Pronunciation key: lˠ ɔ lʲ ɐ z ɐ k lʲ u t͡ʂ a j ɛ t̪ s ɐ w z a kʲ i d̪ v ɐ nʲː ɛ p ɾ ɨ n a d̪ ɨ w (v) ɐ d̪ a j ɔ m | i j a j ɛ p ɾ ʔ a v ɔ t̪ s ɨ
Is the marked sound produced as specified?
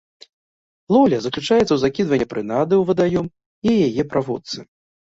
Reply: yes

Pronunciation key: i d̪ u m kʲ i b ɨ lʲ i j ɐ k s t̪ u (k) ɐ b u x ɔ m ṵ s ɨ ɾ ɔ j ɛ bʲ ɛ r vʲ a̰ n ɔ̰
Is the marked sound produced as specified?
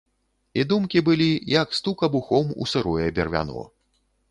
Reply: yes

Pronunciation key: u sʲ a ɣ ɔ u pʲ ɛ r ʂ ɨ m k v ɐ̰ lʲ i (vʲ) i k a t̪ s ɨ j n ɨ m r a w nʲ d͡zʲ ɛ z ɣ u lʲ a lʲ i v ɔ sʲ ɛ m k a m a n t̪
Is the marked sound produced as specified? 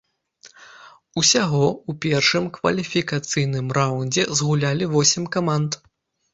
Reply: no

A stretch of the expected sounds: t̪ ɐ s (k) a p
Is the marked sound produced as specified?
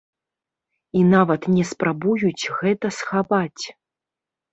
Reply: no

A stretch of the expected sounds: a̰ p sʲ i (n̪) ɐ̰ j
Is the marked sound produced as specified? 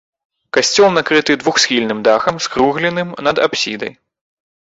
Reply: no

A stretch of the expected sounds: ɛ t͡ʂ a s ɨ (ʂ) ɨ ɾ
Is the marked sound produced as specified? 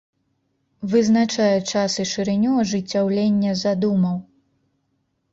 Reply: yes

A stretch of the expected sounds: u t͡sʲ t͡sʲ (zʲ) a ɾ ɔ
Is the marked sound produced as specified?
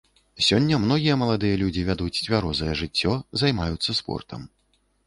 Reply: no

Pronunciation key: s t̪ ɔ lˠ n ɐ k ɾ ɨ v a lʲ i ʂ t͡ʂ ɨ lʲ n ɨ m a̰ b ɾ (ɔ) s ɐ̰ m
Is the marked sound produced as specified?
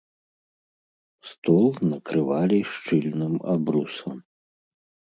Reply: no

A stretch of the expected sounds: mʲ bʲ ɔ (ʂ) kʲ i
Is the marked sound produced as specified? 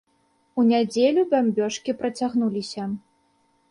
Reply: yes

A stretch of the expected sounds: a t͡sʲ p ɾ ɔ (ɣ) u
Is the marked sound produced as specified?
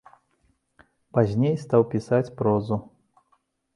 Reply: no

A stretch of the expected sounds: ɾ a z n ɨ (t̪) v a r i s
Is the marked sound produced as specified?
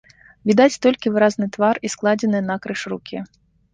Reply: yes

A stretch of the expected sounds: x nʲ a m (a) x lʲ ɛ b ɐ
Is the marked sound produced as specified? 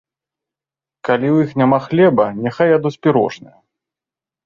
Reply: yes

